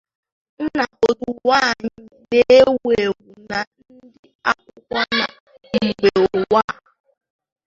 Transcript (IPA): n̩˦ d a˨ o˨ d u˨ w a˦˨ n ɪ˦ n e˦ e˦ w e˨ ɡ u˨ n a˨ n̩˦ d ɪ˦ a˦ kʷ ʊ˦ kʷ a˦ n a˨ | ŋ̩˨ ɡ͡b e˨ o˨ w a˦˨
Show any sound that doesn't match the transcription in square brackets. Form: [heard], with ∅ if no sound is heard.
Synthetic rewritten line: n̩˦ [n] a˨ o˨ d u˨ w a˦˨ [ɲ] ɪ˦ n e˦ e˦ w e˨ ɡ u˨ n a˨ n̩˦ d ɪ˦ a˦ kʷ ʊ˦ kʷ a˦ n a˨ | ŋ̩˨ ɡ͡b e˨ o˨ w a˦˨